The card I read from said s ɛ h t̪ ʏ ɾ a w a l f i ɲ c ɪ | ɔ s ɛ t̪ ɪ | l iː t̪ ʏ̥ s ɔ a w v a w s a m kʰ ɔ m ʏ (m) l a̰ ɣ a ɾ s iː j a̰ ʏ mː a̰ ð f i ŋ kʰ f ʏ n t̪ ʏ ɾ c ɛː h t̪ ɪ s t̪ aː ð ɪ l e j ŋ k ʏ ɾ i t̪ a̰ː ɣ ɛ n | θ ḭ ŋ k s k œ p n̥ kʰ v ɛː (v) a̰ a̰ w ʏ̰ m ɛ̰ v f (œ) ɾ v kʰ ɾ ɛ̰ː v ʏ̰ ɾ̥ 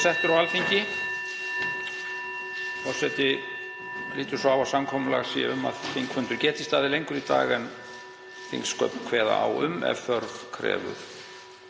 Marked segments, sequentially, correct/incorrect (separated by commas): incorrect, incorrect, correct